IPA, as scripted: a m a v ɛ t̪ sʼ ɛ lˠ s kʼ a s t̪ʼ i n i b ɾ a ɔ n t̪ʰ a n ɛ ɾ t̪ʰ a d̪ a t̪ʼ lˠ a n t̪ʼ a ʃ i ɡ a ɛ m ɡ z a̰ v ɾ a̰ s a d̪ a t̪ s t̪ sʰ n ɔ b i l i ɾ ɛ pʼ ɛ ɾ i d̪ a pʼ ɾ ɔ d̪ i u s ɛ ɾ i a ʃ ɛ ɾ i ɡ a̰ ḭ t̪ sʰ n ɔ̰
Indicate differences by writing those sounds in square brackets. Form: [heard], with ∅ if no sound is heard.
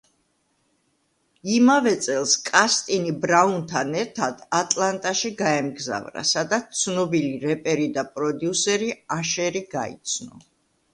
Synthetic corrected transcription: [i] m a v ɛ t̪ sʼ ɛ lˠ s kʼ a s t̪ʼ i n i b ɾ a [u] n t̪ʰ a n ɛ ɾ t̪ʰ a d̪ a t̪ʼ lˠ a n t̪ʼ a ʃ i ɡ a ɛ m ɡ z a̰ v ɾ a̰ s a d̪ a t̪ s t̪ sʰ n ɔ b i l i ɾ ɛ pʼ ɛ ɾ i d̪ a pʼ ɾ ɔ d̪ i u s ɛ ɾ i a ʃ ɛ ɾ i ɡ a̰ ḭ t̪ sʰ n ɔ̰

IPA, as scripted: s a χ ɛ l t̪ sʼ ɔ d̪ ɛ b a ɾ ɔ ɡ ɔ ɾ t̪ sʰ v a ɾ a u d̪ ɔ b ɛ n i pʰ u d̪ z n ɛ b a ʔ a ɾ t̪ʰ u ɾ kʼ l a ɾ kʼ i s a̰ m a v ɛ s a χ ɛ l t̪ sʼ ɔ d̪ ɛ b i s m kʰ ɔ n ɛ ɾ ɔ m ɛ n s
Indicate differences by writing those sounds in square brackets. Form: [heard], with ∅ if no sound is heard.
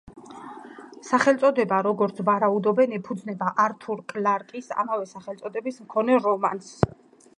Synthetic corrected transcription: s a χ ɛ l t̪ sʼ ɔ d̪ ɛ b a ɾ ɔ ɡ ɔ ɾ t̪ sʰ v a ɾ a u d̪ ɔ b ɛ n i pʰ u d̪ z n ɛ b a ʔ a ɾ t̪ʰ u ɾ kʼ l a ɾ kʼ i s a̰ m a v ɛ s a χ ɛ l t̪ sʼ ɔ d̪ ɛ b i s m kʰ ɔ n ɛ ɾ ɔ m [a] n s

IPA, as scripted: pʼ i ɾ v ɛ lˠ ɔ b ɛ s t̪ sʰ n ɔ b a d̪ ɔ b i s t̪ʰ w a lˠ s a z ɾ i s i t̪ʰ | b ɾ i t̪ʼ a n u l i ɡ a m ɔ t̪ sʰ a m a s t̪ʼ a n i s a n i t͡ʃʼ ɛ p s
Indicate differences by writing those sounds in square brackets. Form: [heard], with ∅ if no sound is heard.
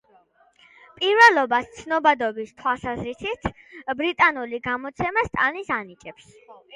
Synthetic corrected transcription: pʼ i ɾ v ɛ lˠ ɔ b [a] s t̪ sʰ n ɔ b a d̪ ɔ b i s t̪ʰ w a lˠ s a z ɾ i s i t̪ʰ | b ɾ i t̪ʼ a n u l i ɡ a m ɔ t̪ sʰ [ɛ] m a s t̪ʼ a n i s a n i t͡ʃʼ ɛ p s

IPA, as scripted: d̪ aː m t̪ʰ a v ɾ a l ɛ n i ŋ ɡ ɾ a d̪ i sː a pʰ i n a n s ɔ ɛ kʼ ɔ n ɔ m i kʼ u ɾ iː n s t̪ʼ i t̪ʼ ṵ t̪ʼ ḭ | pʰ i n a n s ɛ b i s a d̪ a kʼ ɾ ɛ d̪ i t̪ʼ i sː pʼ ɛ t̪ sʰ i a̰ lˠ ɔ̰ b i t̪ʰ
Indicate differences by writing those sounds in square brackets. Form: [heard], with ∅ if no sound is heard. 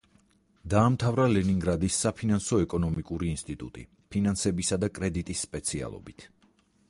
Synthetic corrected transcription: d̪ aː m t̪ʰ a v ɾ a l ɛ n i ŋ ɡ ɾ a d̪ i sː a pʰ i n a n s ɔ ɛ kʼ ɔ n ɔ m i kʼ u ɾ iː n s t̪ʼ i t̪ʼ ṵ t̪ʼ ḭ | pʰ i n a n s ɛ b i s a d̪ a kʼ ɾ ɛ d̪ i t̪ʼ i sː pʼ ɛ t̪ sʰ i a̰ lˠ ɔ̰ b i t̪ʰ

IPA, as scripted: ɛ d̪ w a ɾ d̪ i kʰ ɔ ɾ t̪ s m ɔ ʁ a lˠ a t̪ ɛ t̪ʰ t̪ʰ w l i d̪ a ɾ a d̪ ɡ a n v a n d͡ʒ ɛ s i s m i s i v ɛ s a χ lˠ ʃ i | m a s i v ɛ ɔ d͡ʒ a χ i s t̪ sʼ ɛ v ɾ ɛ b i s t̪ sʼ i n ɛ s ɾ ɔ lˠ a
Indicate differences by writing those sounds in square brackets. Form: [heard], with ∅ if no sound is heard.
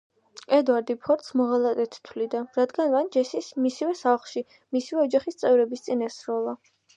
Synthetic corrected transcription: ɛ d̪ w a ɾ d̪ i [pʰ] ɔ ɾ t̪ s m ɔ ʁ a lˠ a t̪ ɛ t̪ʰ t̪ʰ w l i d̪ a ɾ a d̪ ɡ a n v a n d͡ʒ ɛ s i s m i s i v ɛ s a χ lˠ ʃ i | m [i] s i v ɛ ɔ d͡ʒ a χ i s t̪ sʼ ɛ v ɾ ɛ b i s t̪ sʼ i n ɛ s ɾ ɔ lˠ a

